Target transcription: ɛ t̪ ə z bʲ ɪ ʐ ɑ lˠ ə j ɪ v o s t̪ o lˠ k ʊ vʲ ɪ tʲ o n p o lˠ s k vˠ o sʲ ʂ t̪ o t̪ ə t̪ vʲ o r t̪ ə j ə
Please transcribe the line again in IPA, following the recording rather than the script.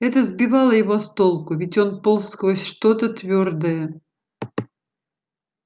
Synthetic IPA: ɛ t̪ ə z bʲ ɪ v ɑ lˠ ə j ɪ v o s t̪ o lˠ k ʊ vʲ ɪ tʲ o n p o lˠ s k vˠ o sʲ ʂ t̪ o t̪ ə t̪ vʲ o r d̪ ə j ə